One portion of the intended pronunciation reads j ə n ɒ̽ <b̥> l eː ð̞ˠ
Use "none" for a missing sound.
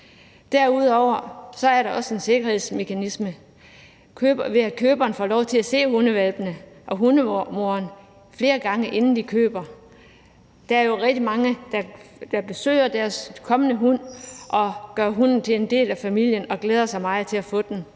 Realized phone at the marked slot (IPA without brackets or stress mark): ɡ̥